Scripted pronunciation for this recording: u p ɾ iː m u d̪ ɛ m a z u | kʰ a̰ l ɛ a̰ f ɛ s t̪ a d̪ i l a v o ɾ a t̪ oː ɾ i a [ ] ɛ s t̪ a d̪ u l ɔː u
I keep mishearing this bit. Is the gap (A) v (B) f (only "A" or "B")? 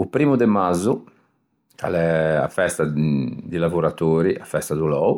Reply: B